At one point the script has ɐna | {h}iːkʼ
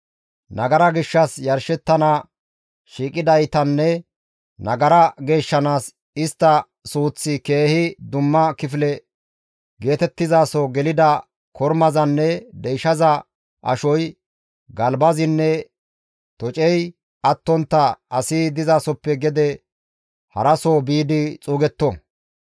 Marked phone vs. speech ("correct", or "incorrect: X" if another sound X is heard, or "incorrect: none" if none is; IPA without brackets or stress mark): incorrect: ʃ